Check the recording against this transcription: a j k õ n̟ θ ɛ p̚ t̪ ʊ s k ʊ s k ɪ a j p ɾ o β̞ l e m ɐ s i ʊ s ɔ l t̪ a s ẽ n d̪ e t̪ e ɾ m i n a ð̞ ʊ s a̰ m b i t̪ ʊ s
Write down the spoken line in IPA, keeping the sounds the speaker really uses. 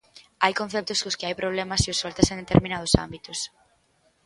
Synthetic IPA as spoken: a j k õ n̟ θ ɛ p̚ t̪ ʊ s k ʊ s k ɪ a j p ɾ o β̞ l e m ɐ s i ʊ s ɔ l t̪ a s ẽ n d̪ e t̪ e ɾ m i n a ð̞ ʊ s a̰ m b i t̪ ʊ s